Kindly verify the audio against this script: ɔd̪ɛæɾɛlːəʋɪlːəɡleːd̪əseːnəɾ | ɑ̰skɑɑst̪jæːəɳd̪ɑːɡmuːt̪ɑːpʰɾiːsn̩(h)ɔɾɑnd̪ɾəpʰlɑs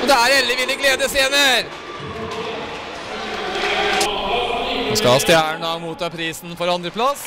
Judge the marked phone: incorrect: f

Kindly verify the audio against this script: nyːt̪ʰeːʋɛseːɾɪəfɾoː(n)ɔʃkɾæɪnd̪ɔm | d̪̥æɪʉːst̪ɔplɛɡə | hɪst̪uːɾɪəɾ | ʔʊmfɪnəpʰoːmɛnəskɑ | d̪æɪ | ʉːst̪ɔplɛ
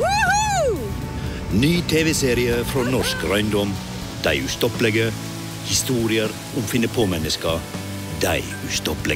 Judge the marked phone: correct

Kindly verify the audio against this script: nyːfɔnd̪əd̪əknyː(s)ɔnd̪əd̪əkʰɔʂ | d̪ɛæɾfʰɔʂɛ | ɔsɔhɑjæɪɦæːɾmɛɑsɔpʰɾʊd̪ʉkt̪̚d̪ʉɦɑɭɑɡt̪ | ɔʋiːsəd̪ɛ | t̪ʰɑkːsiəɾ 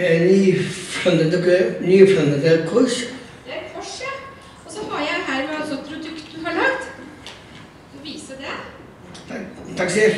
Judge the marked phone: incorrect: f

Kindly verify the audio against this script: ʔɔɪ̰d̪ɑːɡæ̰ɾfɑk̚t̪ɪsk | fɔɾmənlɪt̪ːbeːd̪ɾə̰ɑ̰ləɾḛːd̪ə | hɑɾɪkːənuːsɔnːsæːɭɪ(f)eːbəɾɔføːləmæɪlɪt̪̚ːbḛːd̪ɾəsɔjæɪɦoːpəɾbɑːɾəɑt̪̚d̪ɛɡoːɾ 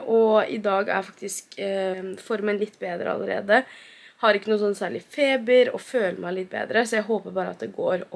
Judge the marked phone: correct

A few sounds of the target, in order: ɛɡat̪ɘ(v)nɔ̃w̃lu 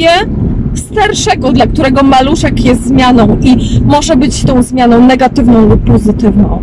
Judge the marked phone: correct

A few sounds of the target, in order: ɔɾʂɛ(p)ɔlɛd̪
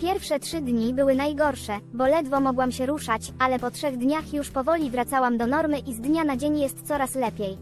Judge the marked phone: incorrect: b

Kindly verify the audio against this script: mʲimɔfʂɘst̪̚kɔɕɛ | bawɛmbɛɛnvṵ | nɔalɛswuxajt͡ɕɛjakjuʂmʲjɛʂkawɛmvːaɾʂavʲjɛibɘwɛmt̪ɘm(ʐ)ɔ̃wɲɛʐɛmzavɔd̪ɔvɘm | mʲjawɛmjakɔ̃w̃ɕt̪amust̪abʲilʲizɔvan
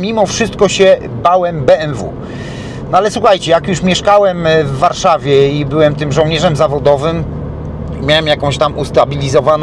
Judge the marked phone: correct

